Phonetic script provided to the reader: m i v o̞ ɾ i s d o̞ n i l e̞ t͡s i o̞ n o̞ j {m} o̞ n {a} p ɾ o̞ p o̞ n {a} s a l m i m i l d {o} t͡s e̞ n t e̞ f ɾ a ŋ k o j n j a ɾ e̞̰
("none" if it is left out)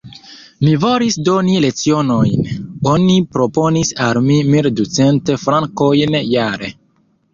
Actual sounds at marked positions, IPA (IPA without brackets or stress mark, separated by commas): n, i, i, u